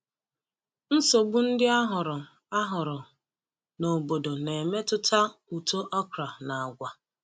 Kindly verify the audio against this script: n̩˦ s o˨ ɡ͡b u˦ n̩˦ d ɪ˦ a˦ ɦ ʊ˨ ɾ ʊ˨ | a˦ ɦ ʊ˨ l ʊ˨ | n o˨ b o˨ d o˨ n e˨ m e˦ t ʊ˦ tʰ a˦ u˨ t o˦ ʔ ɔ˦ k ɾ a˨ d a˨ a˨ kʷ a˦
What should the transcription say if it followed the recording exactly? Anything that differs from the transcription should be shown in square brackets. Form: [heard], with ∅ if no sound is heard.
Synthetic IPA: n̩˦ s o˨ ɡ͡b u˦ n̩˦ d ɪ˦ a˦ ɦ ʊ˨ ɾ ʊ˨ | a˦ ɦ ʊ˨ [ɾ] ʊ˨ | n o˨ b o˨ d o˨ n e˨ m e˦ t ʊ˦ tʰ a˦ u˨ t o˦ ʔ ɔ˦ k ɾ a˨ [n] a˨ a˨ [ɡʷ] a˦